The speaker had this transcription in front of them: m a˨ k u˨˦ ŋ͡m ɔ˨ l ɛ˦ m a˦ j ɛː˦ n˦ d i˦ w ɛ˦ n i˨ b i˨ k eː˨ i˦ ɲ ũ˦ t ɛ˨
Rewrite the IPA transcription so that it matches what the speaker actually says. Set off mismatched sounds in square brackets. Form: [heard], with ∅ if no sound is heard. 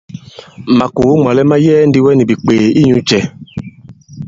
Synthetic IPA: m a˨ k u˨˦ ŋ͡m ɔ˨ l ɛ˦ m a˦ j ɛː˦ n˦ d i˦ w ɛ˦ n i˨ b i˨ [k͡p] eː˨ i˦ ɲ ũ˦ [t͡ʃ] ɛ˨